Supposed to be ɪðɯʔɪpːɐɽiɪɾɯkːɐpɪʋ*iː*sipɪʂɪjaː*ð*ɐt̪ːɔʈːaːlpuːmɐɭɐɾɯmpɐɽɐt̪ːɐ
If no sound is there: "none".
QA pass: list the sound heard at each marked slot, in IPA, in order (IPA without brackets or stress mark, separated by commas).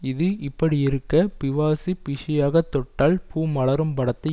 aː, ɣ